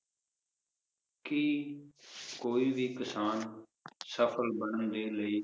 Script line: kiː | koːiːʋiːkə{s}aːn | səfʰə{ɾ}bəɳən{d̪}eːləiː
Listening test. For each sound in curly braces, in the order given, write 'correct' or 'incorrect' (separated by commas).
correct, incorrect, correct